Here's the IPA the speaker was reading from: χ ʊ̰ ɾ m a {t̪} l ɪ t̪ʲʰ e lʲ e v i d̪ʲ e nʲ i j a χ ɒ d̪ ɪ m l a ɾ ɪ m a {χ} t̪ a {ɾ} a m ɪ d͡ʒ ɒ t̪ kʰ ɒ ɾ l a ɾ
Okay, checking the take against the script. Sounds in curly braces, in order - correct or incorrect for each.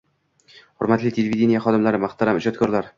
correct, correct, correct

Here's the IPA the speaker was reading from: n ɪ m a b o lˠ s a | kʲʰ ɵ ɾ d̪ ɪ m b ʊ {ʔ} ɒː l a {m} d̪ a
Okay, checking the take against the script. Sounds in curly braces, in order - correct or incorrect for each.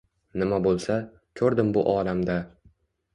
correct, correct

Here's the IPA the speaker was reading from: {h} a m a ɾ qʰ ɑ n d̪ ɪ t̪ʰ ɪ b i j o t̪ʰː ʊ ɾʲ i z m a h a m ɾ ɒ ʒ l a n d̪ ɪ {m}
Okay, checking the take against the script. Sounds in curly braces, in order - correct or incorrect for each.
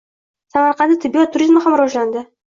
incorrect, incorrect

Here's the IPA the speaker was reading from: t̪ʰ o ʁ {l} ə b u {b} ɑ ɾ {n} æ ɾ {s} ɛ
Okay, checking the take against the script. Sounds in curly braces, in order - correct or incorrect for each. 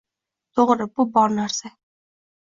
incorrect, correct, correct, correct

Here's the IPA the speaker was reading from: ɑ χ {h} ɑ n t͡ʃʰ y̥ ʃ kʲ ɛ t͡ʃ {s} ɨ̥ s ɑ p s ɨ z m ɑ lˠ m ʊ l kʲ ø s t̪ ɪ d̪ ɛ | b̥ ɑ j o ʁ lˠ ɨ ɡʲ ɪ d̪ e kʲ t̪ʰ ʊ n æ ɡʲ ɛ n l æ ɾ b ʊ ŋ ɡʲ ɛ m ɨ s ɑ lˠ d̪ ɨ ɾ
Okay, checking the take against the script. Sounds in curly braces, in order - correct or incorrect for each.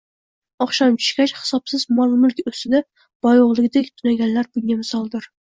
incorrect, incorrect

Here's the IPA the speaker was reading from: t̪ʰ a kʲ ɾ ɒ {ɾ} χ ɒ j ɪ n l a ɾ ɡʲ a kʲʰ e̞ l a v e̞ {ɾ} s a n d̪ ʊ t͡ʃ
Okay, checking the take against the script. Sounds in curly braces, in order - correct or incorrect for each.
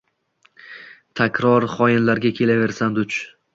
correct, correct

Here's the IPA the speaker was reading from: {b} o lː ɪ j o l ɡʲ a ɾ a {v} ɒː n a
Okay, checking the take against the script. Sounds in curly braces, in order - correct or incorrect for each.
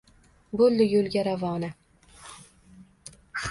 correct, correct

